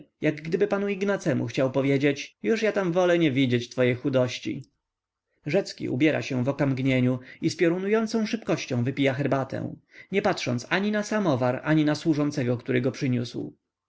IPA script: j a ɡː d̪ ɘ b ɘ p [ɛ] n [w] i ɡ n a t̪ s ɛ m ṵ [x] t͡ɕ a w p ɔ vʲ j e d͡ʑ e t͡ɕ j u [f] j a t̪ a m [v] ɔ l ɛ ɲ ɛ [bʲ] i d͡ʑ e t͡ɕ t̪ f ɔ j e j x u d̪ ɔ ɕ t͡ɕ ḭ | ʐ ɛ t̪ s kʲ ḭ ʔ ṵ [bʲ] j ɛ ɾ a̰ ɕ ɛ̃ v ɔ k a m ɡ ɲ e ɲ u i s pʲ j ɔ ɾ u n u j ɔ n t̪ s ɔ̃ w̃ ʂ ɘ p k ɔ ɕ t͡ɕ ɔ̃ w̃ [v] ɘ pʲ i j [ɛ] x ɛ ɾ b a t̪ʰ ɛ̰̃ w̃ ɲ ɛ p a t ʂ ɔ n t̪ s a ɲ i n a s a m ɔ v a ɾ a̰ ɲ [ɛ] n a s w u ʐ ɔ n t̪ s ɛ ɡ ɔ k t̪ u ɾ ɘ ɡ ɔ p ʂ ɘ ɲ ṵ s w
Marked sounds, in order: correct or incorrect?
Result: incorrect, incorrect, correct, incorrect, correct, incorrect, correct, correct, incorrect, incorrect

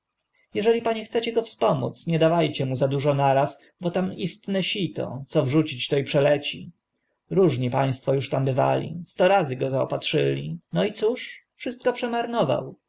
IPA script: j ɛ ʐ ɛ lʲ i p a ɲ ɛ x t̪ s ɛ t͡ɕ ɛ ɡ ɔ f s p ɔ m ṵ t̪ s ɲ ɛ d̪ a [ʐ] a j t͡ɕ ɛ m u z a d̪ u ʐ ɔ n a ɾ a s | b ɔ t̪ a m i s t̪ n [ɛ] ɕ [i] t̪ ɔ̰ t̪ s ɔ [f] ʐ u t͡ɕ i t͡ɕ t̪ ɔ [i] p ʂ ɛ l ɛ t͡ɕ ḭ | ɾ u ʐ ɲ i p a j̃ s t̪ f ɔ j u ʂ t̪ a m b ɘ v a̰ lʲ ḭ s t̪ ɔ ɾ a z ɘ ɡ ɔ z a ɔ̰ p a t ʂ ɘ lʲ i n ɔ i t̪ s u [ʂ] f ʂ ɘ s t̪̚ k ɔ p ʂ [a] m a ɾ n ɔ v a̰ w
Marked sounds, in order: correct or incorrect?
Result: incorrect, correct, correct, incorrect, correct, correct, incorrect

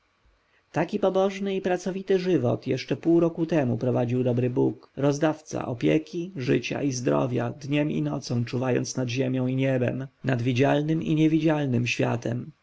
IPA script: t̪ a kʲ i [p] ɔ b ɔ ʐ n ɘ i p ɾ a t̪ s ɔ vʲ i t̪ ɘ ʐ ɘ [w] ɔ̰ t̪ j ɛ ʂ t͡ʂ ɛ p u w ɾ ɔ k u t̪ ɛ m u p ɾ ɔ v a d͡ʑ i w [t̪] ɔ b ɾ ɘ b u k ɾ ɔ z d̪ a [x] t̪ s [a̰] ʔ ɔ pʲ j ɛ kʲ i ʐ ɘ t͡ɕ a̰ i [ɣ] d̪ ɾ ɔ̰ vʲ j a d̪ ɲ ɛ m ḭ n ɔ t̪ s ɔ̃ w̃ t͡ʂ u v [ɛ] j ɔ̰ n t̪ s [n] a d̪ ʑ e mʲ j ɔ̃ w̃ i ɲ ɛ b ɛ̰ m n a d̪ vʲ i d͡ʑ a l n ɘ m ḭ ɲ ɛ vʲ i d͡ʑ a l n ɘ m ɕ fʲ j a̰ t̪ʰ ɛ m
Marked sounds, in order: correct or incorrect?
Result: correct, incorrect, incorrect, incorrect, correct, incorrect, incorrect, correct

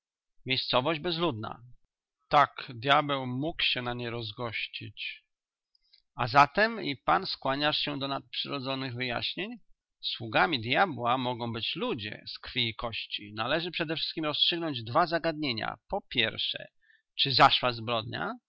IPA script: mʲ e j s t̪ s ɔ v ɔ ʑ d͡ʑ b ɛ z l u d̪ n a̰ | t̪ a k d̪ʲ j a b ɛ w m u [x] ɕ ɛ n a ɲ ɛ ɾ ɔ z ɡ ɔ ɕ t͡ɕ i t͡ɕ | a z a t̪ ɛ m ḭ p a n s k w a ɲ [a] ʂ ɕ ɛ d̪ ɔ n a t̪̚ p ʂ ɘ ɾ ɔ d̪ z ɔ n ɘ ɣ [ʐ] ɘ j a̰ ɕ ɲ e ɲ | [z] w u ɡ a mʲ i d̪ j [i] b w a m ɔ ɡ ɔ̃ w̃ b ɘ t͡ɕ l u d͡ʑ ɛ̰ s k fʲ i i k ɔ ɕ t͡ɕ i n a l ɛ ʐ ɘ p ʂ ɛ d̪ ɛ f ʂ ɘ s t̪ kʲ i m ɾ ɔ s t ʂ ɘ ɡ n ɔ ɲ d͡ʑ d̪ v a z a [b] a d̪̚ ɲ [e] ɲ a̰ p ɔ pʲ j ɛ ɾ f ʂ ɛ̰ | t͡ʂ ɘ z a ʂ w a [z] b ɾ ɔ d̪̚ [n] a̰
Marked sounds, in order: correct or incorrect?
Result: incorrect, correct, incorrect, incorrect, incorrect, incorrect, correct, correct, incorrect

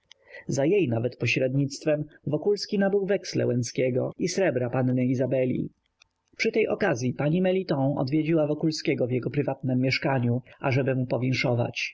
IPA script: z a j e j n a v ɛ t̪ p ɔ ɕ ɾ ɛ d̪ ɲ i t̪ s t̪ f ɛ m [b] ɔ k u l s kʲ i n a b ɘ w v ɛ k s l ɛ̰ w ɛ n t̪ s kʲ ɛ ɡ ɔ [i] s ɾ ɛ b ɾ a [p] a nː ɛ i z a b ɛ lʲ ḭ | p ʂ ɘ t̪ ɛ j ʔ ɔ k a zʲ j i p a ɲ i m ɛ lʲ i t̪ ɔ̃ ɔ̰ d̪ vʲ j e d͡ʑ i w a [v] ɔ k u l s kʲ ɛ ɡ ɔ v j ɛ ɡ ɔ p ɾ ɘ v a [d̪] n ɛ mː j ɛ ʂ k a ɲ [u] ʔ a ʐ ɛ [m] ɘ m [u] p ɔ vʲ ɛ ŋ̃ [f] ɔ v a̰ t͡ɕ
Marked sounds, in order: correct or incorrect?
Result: incorrect, correct, correct, correct, incorrect, correct, incorrect, correct, incorrect

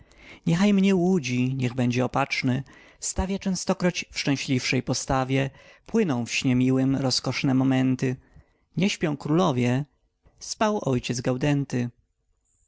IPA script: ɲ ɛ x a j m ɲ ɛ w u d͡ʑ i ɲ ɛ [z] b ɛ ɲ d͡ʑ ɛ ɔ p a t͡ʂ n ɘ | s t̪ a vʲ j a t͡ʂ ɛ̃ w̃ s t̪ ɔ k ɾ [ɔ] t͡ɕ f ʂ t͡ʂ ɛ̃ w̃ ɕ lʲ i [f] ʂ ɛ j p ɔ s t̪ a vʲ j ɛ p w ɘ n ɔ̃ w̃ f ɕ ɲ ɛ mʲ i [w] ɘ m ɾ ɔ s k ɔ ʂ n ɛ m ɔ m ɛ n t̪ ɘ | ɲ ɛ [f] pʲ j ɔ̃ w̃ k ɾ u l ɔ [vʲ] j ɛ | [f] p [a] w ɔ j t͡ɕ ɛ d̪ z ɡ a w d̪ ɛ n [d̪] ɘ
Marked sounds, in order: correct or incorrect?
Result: incorrect, correct, correct, correct, incorrect, correct, incorrect, correct, incorrect

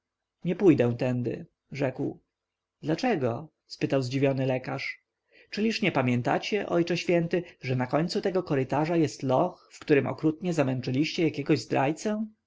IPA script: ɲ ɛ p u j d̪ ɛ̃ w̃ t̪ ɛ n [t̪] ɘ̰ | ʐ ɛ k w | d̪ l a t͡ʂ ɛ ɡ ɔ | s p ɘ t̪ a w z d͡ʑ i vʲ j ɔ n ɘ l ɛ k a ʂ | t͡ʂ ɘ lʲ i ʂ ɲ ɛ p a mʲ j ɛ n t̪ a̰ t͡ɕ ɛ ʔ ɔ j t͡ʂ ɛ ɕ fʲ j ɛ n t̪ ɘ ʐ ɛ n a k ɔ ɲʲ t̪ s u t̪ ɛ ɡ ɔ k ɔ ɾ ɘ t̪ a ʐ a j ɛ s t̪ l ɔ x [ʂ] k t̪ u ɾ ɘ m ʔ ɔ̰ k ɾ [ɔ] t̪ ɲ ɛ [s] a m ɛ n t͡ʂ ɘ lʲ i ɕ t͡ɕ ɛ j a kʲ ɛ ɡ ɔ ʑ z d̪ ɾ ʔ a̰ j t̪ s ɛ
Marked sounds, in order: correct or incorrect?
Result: incorrect, incorrect, incorrect, incorrect

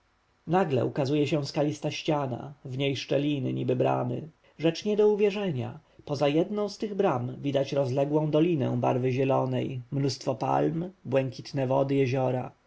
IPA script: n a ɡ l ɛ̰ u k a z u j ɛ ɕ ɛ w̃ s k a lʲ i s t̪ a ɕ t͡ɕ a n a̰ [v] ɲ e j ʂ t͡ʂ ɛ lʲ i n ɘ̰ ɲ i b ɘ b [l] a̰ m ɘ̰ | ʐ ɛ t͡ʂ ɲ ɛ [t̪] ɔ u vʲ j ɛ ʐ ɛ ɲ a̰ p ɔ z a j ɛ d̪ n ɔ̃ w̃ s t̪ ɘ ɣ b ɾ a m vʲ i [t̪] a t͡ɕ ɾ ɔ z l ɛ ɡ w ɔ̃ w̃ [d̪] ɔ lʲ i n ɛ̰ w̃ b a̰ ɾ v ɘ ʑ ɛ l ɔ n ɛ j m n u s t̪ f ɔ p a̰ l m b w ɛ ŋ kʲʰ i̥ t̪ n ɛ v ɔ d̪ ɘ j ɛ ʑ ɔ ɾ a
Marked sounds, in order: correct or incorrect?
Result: correct, incorrect, incorrect, incorrect, correct

